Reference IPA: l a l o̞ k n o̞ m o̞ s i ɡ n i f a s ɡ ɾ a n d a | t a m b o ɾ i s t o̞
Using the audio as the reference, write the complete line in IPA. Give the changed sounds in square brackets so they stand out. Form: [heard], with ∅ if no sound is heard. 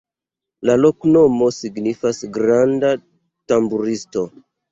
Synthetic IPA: l a l o̞ k n o̞ m o̞ s i ɡ n i f a s ɡ ɾ a n d a | t a m b [u] ɾ i s t o̞